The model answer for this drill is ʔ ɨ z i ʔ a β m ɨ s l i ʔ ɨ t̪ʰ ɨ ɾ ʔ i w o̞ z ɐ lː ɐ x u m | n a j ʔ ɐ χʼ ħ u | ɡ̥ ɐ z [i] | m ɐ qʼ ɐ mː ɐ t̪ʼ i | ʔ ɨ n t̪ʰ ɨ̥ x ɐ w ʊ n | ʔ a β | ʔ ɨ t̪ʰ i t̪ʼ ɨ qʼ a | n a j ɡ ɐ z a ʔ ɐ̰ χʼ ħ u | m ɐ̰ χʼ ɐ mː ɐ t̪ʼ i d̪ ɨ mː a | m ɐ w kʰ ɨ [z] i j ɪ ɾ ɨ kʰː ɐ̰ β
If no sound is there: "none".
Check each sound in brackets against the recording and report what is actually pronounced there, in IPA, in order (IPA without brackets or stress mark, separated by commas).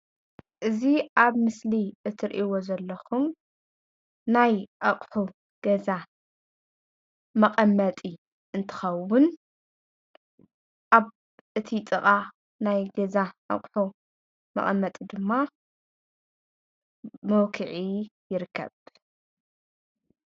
a, ʕ